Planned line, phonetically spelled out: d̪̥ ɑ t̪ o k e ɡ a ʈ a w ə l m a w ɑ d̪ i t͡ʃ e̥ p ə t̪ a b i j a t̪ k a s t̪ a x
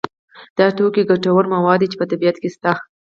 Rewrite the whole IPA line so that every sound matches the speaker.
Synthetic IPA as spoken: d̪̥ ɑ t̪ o k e ɡ a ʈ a w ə ɾ m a w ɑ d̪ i t͡ʃ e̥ p ə t̪ a b i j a t̪ k e s t̪ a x

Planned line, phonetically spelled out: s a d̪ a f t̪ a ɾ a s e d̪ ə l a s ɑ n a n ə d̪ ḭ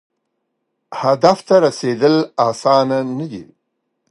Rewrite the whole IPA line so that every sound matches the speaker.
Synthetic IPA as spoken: h a d̪ a f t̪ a ɾ a s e d̪ ə l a s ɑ n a n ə d̪ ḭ

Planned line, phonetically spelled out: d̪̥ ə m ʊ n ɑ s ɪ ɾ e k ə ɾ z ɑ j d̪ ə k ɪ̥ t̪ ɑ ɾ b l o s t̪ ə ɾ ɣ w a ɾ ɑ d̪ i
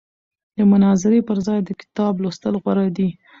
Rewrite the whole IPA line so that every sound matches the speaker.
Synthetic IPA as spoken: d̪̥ ə m ʊ n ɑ z ɪ ɾ e p ə ɾ z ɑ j d̪ ə k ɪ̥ t̪ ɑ b l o s t̪ ə l ɣ w a ɾ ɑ d̪ i

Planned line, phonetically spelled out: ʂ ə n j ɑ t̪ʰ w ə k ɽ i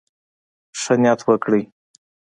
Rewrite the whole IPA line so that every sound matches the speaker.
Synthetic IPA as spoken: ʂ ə n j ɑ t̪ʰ w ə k ɽ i

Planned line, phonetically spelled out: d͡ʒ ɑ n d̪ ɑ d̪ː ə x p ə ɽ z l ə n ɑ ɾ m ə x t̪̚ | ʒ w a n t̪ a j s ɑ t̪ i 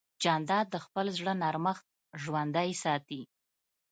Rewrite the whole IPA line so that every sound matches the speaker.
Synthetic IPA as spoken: d͡ʒ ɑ n d̪ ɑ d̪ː ə x p ə l z ɽ ə n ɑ ɾ m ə x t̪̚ | ʒ w a n d̪ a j s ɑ t̪ i

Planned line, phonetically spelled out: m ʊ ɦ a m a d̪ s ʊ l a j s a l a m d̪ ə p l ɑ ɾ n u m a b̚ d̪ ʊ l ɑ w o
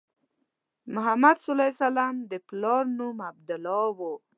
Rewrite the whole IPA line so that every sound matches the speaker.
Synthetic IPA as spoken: m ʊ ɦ a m a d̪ s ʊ l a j s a l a m d̪ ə p l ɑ ɾ n u m a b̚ d̪ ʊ l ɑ w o

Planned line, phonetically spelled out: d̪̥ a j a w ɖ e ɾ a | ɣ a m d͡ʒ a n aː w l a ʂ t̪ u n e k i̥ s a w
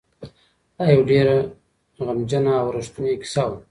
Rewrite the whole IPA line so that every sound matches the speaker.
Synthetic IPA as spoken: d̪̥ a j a w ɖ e ɾ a | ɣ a m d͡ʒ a n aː w ɾ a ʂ t̪ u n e k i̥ s a w

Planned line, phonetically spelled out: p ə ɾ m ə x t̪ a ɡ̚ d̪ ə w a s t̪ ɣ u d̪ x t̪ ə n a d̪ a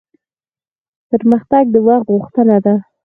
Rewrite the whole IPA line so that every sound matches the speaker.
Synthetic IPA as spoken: p ə ɾ m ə x t̪ a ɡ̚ d̪ ə w a x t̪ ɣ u x t̪ ə n a d̪ a

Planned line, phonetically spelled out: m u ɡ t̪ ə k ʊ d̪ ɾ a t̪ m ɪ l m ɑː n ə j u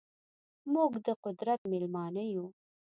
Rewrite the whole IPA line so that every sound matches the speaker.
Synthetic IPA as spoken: m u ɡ d̪ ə q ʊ d̪ ɾ a t̪ m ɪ l m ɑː n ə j u

